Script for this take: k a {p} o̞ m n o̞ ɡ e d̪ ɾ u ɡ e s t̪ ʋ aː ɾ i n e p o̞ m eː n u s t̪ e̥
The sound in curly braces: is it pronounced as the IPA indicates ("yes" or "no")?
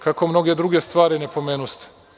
no